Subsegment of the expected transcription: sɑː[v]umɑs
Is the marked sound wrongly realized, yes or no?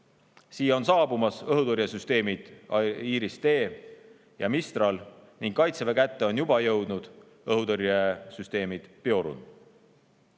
yes